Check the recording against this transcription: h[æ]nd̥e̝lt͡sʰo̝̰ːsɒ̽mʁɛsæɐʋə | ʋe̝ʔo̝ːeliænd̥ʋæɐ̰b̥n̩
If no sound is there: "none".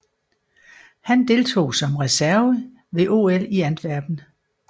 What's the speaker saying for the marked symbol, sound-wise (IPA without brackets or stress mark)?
æ